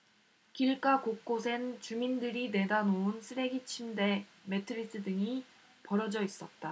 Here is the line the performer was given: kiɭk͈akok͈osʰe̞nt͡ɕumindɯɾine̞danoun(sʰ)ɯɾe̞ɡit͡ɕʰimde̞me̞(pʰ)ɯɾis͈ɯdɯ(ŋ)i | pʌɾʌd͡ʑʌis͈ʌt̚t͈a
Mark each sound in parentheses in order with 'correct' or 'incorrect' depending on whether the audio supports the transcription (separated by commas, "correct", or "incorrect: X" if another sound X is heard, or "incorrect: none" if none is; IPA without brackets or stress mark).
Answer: correct, incorrect: tʰ, correct